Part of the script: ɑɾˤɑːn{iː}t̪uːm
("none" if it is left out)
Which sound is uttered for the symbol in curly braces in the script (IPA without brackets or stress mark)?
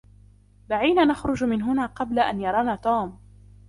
aː